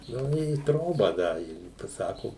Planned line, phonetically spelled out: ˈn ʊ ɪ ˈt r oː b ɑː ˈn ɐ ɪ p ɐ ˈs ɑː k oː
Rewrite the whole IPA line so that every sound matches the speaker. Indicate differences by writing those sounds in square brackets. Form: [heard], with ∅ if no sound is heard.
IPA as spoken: ˈn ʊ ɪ ˈt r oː b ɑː [ˈd] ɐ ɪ p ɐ ˈs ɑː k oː